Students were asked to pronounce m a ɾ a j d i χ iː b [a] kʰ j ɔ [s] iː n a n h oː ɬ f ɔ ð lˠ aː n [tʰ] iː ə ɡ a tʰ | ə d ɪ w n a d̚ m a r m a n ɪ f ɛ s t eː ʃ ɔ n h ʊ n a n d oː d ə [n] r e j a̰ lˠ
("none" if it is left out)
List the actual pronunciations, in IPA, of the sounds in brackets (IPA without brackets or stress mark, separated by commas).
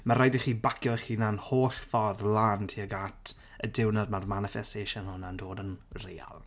a, χ, tʰ, n